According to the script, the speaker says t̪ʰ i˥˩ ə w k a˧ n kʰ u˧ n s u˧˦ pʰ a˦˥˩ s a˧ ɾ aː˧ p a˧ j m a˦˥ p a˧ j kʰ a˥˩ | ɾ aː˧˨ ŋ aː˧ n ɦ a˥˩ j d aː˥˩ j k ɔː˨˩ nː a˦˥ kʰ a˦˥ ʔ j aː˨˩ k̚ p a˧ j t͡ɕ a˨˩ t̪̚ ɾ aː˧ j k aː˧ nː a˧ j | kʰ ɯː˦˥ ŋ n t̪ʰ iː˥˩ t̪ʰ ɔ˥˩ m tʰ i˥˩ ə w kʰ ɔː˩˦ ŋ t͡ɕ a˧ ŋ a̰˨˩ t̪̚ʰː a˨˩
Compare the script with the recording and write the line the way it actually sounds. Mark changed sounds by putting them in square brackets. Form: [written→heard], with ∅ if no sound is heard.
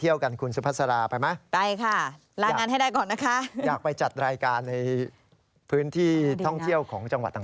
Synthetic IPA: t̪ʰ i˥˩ ə w k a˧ n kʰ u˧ n s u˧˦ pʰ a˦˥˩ s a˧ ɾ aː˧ p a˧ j m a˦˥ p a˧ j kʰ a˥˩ | ɾ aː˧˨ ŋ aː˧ n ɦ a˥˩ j d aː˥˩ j k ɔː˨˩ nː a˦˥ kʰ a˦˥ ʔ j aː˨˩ k̚ p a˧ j t͡ɕ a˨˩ t̪̚ ɾ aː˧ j k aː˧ nː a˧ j | [kʰ→pʰ] ɯː˦˥ [ŋ→∅] n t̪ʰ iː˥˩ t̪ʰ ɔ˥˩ [m→ŋ] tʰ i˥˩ ə w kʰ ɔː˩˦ ŋ t͡ɕ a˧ ŋ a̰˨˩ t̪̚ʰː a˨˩